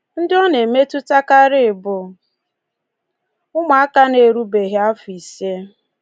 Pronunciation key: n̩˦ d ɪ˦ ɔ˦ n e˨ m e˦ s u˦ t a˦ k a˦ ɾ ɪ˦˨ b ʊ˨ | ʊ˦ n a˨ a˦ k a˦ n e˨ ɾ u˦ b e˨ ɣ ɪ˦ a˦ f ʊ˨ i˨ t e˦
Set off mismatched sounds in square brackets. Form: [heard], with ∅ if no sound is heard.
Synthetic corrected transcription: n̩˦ d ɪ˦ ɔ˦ n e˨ m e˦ [t] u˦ t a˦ k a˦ ɾ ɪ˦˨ b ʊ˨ | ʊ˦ [m] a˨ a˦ k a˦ n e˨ ɾ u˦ b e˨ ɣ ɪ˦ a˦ f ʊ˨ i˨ [s] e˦